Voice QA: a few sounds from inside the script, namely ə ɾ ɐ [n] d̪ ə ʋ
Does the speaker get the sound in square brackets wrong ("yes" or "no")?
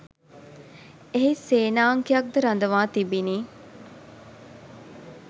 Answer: no